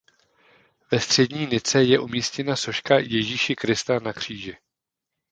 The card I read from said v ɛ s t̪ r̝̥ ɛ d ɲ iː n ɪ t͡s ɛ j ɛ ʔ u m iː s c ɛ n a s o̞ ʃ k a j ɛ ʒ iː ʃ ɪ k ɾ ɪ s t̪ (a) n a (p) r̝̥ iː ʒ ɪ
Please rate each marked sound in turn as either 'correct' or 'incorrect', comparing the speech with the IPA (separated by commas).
correct, incorrect